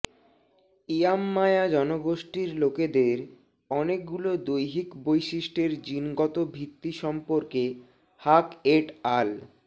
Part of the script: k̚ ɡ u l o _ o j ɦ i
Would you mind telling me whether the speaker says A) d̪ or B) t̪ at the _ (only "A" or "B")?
A